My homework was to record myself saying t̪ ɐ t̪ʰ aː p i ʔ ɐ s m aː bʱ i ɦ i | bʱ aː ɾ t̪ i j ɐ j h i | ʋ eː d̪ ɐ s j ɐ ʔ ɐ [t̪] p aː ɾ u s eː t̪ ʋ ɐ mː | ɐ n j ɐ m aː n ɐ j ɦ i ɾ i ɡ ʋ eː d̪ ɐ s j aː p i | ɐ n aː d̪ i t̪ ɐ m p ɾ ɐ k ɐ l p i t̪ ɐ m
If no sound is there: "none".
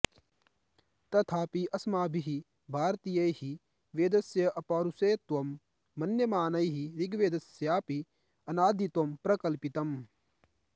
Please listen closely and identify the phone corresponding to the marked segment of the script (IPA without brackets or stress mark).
none